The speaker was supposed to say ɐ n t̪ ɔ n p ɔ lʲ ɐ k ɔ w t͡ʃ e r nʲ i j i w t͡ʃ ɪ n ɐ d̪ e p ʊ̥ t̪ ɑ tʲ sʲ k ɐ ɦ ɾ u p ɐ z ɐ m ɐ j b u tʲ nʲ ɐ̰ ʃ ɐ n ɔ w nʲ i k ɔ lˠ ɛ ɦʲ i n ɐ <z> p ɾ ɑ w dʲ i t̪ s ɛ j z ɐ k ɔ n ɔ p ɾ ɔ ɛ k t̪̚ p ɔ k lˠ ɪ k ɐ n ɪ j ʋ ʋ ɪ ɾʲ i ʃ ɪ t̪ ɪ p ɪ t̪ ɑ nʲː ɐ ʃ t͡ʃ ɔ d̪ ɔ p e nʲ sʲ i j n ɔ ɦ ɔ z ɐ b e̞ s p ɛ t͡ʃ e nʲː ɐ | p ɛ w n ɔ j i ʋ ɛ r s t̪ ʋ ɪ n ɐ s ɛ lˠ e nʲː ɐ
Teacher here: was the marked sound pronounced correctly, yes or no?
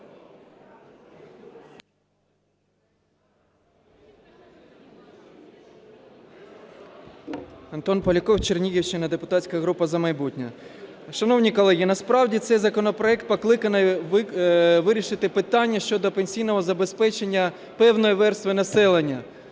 no